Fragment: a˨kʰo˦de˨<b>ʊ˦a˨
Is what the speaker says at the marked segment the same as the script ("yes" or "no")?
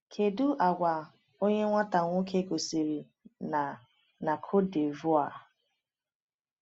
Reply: no